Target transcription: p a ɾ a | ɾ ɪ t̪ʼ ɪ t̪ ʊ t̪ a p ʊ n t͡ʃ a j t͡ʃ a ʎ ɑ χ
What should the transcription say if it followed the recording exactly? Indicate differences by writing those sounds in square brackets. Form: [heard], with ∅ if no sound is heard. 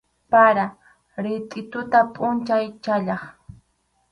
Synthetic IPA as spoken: p a ɾ a | ɾ ɪ t̪ʼ ɪ t̪ ʊ t̪ a [pʼ] ʊ n t͡ʃ a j t͡ʃ a ʎ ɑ χ